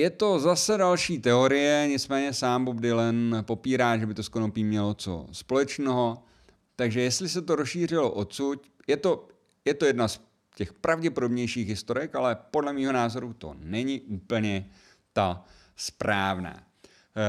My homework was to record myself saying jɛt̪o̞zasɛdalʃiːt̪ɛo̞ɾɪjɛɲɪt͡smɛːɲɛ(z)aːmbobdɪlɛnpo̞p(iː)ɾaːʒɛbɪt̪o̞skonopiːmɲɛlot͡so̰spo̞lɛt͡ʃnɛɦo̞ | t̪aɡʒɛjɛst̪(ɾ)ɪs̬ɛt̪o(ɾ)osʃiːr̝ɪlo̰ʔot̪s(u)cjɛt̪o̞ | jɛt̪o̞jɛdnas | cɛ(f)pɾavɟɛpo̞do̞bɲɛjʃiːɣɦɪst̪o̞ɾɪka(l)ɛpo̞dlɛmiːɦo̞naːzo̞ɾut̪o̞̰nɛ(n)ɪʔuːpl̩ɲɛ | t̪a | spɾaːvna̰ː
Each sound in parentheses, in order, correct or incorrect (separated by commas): incorrect, correct, incorrect, correct, correct, incorrect, correct, incorrect